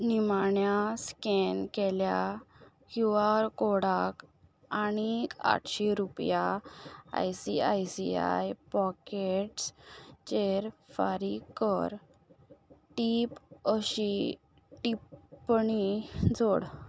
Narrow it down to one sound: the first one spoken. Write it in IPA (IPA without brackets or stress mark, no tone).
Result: n